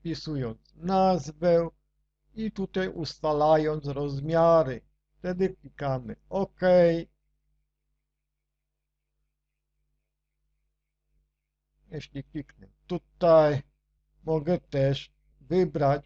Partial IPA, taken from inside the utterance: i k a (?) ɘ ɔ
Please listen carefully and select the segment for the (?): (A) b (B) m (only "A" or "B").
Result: B